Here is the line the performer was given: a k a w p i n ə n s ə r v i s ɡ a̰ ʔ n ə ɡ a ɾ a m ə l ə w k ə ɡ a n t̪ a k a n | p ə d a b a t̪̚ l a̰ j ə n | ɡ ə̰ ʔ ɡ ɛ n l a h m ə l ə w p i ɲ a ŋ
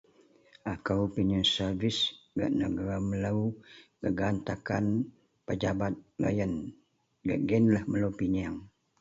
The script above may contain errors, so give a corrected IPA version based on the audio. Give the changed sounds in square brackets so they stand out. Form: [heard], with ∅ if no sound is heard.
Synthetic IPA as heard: a k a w p i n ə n s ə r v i s ɡ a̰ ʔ n ə ɡ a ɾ a m ə l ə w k ə ɡ a n t̪ a k a n | p ə [d͡ʒ] a b a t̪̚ l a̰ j ə n | ɡ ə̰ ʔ ɡ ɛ n l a h m ə l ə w p i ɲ a ŋ